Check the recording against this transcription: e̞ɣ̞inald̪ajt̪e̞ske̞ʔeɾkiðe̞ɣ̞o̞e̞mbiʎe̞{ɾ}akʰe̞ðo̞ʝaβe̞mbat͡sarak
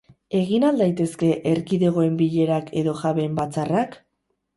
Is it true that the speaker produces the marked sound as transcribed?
yes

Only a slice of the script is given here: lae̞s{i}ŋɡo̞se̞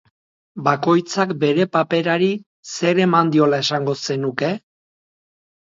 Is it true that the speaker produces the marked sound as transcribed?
no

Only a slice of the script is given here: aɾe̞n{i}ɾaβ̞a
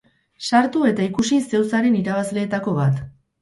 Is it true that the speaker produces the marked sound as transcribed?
yes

